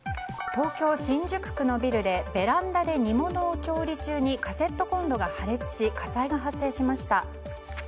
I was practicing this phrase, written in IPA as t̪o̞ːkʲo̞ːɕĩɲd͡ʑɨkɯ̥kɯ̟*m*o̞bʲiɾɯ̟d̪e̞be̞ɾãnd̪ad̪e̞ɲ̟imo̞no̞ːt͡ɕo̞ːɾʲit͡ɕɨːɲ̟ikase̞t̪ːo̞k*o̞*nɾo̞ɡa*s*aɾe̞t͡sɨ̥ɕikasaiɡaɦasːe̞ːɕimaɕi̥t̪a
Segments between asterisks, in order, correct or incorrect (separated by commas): incorrect, incorrect, incorrect